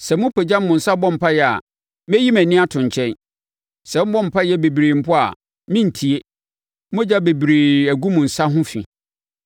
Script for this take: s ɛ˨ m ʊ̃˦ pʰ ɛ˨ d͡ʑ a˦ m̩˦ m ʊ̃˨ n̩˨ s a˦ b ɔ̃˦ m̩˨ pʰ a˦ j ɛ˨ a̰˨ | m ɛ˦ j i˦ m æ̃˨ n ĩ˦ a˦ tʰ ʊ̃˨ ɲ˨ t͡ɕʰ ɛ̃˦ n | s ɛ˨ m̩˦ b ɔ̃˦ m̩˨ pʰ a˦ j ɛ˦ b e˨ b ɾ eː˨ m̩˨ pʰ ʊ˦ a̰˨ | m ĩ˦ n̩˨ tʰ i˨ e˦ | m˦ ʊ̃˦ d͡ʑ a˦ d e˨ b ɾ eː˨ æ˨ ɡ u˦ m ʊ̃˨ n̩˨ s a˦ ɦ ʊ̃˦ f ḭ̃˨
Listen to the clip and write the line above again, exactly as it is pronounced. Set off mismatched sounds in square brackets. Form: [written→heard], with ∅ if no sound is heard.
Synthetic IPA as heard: s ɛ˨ m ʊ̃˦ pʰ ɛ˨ d͡ʑ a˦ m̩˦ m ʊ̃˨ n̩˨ s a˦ b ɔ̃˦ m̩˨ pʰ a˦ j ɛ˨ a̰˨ | m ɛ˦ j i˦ m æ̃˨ n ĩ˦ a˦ tʰ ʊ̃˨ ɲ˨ t͡ɕʰ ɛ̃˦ n | s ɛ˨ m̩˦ b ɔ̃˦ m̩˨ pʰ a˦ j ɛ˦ b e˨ b ɾ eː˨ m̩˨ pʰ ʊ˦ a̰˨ | m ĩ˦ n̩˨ tʰ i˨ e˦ | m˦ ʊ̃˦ d͡ʑ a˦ [d→b] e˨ b ɾ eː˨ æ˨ ɡ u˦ m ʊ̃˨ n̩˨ s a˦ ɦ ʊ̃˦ f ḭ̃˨